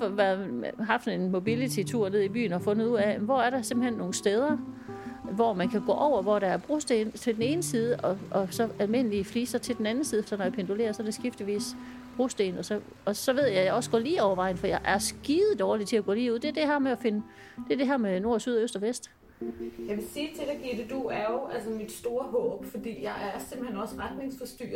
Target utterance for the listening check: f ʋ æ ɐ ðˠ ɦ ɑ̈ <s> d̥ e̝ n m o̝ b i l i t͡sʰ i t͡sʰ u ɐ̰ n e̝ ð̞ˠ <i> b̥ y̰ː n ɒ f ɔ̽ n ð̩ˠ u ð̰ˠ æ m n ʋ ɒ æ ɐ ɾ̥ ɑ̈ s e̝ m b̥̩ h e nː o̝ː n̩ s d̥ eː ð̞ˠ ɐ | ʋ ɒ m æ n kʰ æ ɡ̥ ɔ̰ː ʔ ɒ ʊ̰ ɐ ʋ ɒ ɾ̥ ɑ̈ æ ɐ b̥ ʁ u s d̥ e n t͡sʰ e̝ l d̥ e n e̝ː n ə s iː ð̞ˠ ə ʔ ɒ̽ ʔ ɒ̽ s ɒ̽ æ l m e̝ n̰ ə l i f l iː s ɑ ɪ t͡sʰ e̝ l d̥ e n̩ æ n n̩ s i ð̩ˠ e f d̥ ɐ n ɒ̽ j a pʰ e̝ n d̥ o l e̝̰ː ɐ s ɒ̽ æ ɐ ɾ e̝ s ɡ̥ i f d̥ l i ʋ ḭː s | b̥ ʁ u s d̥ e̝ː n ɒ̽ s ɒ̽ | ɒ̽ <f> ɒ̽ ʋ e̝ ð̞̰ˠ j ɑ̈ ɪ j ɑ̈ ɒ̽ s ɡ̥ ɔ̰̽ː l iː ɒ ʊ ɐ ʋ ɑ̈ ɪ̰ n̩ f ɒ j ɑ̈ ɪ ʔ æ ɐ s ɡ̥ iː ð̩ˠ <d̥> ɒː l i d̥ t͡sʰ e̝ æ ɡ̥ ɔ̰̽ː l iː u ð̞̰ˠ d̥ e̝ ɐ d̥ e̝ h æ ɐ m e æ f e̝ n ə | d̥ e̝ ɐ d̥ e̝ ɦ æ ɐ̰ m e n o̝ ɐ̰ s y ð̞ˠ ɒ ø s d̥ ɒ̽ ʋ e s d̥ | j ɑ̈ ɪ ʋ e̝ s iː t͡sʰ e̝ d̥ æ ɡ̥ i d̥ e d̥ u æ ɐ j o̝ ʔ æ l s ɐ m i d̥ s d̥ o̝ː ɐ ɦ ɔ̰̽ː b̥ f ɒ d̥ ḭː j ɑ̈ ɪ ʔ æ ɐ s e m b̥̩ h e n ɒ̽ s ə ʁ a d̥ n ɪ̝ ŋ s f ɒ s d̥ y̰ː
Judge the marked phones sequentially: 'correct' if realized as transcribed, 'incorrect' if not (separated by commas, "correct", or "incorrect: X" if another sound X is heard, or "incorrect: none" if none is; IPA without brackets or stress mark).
incorrect: f, correct, incorrect: s, correct